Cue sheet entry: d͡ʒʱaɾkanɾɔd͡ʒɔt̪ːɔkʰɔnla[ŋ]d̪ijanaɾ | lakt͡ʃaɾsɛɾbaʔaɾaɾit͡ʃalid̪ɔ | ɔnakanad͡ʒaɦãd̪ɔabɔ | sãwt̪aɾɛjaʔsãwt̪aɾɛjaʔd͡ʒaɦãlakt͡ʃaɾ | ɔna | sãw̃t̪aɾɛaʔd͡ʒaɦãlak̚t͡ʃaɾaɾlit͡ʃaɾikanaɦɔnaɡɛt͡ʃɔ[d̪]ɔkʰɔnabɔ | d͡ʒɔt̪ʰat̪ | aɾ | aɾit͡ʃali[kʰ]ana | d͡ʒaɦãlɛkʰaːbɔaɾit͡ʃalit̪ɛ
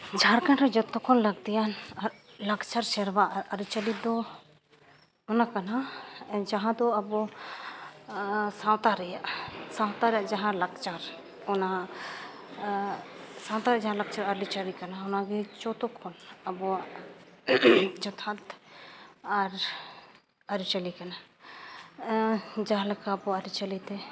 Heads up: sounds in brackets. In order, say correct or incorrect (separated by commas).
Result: incorrect, incorrect, incorrect